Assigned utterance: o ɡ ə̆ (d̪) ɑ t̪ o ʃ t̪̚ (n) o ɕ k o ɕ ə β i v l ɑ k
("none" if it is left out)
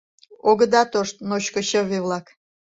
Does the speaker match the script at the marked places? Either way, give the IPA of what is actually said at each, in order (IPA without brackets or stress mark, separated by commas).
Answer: d̪, n